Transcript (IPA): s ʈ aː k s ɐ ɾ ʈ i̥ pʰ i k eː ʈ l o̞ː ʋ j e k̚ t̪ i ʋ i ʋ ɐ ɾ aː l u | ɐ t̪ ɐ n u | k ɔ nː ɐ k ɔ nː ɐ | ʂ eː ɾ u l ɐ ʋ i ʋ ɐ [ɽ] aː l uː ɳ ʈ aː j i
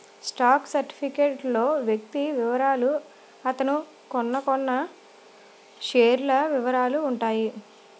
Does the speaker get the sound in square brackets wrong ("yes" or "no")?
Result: yes